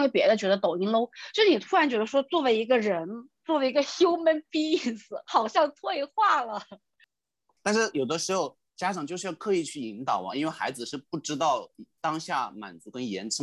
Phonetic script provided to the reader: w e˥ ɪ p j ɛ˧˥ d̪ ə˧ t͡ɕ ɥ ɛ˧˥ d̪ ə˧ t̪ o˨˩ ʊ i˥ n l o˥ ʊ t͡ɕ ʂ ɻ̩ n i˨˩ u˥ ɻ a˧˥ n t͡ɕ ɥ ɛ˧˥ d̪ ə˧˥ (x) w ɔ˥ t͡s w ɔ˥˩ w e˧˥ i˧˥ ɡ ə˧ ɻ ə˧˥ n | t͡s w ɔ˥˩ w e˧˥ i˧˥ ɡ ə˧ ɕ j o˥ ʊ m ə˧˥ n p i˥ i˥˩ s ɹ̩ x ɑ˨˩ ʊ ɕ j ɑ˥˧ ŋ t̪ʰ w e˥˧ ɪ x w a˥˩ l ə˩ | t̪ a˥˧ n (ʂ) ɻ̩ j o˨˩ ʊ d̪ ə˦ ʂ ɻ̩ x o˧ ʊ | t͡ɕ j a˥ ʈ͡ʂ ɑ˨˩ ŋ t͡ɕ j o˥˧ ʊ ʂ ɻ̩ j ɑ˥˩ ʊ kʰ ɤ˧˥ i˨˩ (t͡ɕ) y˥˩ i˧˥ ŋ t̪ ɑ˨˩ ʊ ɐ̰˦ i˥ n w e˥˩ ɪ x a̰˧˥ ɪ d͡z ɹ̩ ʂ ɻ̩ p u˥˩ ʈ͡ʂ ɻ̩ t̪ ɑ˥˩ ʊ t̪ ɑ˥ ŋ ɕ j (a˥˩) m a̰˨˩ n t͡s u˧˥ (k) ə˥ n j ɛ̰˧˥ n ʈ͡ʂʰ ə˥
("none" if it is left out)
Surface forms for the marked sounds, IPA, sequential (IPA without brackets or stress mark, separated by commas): ʂ, ʂ, t͡ɕʰ, a˥˩, k